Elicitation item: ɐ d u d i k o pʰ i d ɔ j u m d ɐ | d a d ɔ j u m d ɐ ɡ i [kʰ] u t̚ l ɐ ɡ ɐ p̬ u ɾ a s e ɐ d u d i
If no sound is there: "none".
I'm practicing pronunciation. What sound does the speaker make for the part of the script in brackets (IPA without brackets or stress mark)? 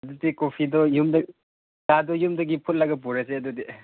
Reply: pʰ